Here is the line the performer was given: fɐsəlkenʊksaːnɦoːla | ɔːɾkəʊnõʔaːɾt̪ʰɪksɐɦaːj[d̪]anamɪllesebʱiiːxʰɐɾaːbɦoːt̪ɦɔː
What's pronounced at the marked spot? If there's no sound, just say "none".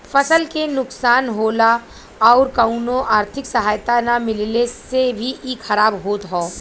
t̪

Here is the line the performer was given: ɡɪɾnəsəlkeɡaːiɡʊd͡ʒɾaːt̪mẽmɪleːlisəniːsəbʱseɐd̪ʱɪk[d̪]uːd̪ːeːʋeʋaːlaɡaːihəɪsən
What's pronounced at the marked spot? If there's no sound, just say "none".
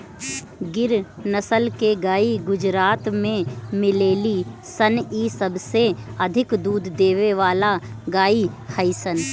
d̪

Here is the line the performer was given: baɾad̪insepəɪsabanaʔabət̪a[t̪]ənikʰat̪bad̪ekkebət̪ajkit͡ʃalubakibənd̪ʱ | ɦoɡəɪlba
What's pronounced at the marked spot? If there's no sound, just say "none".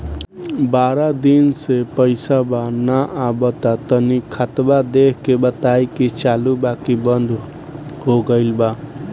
t̪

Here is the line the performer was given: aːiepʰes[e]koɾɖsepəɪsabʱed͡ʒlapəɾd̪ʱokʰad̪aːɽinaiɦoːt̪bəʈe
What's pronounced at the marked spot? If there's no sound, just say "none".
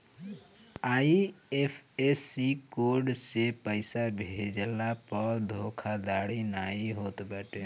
i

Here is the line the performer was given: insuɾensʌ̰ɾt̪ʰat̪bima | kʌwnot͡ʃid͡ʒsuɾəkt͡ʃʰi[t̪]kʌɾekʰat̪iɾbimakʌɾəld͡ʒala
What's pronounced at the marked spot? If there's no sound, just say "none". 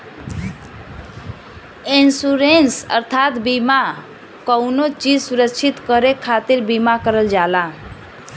t̪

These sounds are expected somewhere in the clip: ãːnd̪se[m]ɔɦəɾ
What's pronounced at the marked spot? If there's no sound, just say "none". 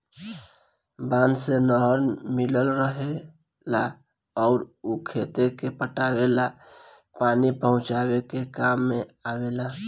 n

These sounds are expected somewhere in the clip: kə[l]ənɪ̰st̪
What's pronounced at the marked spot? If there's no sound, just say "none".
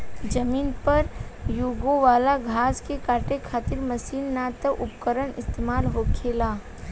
ɾ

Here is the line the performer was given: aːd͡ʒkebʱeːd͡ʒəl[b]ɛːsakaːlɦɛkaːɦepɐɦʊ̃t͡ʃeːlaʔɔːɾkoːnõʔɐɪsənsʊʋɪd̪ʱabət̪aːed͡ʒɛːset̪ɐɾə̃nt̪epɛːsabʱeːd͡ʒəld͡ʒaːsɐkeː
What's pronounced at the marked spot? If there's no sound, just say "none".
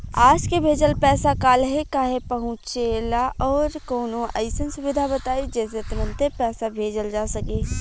p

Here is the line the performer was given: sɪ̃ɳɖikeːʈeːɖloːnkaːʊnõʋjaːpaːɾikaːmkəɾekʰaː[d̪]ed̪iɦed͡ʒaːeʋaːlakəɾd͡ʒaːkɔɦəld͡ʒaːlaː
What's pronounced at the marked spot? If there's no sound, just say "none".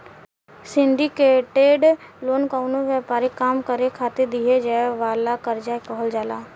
t̪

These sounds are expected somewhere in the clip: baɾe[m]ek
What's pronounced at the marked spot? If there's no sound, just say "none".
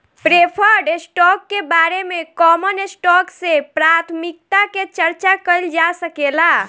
m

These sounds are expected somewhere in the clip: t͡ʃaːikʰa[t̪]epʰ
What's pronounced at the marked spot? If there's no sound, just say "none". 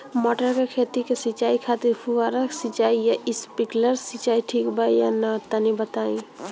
t̪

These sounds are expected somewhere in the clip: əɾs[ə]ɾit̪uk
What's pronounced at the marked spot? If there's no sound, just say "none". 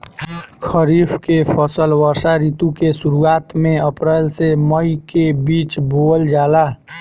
a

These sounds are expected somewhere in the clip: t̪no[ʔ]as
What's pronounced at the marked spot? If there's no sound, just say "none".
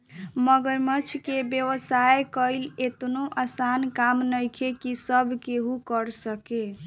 ʔ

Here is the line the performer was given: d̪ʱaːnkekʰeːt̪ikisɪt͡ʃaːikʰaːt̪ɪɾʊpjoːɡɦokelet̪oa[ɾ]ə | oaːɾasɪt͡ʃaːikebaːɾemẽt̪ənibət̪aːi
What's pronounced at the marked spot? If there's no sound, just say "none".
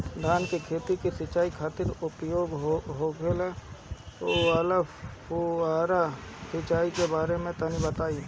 l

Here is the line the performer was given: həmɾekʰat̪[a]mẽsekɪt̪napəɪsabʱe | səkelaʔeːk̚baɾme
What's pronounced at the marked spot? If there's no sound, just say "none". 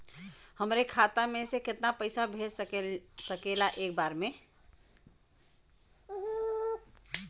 a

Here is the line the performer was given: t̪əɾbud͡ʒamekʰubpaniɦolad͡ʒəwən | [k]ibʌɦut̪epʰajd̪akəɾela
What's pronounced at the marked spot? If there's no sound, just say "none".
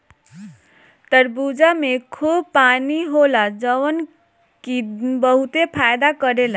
k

